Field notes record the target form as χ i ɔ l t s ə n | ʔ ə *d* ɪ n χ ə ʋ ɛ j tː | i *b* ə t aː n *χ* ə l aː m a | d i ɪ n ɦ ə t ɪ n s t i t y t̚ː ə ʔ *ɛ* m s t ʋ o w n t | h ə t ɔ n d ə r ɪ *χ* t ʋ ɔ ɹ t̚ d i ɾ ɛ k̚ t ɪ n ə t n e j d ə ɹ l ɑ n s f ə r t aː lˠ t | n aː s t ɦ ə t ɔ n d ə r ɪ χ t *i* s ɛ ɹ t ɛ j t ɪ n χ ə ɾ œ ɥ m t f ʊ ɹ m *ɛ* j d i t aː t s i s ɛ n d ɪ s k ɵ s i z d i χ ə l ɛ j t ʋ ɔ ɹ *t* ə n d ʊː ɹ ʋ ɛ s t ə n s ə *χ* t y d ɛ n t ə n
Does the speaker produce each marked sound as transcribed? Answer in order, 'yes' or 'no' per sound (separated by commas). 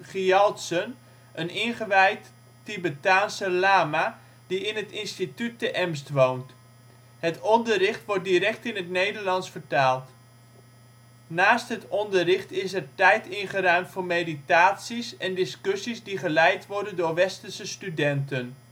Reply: no, yes, no, yes, yes, no, no, no, no